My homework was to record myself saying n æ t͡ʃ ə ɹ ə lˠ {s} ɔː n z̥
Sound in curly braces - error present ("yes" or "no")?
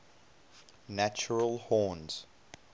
yes